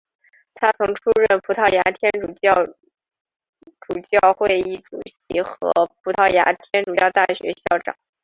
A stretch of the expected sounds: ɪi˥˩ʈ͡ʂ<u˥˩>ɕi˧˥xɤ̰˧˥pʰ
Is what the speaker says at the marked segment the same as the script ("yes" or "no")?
no